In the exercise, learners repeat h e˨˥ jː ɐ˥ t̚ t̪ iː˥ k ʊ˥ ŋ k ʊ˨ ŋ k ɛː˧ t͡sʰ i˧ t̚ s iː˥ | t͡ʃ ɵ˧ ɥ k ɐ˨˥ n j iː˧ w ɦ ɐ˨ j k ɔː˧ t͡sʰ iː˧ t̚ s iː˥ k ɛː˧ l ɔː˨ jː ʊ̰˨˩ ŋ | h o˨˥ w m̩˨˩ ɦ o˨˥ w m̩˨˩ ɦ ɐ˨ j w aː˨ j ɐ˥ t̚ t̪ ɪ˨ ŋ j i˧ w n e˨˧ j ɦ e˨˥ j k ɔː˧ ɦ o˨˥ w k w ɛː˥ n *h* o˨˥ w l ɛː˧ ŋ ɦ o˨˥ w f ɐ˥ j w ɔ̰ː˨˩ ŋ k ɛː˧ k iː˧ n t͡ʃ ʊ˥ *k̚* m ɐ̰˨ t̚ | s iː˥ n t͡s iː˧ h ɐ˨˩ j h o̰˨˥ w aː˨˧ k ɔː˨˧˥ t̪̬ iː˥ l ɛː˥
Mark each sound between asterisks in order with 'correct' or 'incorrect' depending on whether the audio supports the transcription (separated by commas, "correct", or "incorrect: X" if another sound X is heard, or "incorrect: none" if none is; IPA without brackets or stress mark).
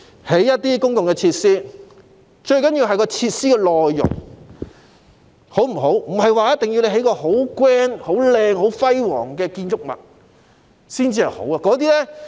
correct, correct